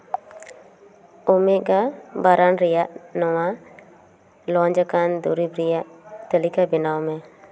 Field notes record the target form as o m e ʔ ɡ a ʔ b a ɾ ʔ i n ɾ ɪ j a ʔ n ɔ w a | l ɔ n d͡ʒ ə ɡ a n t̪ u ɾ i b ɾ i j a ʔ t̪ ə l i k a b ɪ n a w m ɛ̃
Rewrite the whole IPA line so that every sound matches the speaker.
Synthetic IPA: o m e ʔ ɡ a b a ɾ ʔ a n ɾ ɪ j a ʔ n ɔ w a | l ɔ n d͡ʒ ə k a n d̪ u ɾ i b ɾ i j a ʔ t̪ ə l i k a b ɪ n a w m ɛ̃